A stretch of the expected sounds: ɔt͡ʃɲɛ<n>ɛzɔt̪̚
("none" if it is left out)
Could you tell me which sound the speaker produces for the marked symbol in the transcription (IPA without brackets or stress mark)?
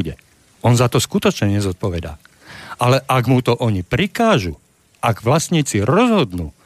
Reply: ɲ